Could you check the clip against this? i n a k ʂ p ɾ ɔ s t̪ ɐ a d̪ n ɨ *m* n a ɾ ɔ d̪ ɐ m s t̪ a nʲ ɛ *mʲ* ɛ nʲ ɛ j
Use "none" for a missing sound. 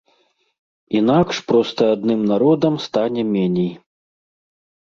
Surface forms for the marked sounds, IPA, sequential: m, mʲ

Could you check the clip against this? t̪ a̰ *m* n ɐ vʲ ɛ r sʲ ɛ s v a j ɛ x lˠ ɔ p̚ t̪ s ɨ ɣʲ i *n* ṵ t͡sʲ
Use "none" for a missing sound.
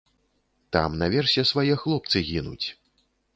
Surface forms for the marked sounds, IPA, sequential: m, n

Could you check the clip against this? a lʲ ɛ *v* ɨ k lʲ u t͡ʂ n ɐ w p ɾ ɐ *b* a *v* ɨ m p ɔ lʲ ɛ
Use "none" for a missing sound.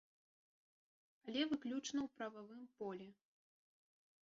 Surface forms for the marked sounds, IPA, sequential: v, v, v

